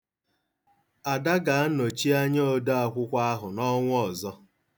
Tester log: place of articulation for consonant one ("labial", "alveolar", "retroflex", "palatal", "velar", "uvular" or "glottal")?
alveolar